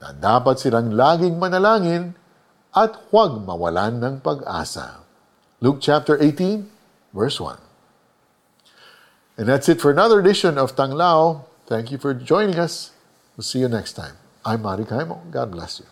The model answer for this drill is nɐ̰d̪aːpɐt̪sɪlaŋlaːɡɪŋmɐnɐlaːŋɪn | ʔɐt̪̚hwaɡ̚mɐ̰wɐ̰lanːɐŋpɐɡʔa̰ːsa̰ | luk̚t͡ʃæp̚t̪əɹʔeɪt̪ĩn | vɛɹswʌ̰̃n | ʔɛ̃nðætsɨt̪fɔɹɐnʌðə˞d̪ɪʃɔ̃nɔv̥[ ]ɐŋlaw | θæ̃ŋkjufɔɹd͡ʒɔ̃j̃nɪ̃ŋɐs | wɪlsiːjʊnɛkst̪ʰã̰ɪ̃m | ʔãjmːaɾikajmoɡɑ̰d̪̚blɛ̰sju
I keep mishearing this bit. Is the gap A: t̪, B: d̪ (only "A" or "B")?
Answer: A